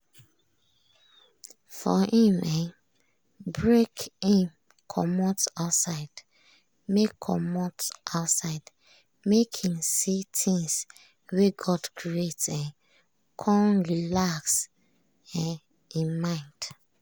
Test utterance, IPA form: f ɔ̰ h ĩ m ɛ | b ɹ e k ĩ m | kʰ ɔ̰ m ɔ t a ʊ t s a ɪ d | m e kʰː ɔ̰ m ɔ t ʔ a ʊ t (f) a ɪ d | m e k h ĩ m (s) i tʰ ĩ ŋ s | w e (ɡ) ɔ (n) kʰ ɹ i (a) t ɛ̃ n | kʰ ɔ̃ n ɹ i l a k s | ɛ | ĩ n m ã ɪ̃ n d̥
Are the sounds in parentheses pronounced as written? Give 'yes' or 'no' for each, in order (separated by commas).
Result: no, yes, yes, no, no